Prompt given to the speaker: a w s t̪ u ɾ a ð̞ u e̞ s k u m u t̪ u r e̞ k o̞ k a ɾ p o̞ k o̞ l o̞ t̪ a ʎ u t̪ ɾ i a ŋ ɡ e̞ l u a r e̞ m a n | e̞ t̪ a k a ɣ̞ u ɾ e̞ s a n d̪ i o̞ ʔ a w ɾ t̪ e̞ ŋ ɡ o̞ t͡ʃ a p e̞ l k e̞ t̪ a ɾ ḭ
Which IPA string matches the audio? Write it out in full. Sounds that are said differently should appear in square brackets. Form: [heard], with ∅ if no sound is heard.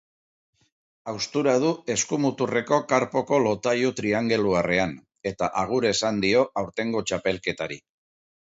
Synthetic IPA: a w s t̪ u ɾ a ð̞ u e̞ s k u m u t̪ u r e̞ k o̞ k a ɾ p o̞ k o̞ l o̞ t̪ a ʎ u t̪ ɾ i a ŋ ɡ e̞ l u a r e̞ [∅] a n | e̞ t̪ a [ʔ] a ɣ̞ u ɾ e̞ s a n d̪ i o̞ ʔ a w ɾ t̪ e̞ ŋ ɡ o̞ t͡ʃ a p e̞ l k e̞ t̪ a ɾ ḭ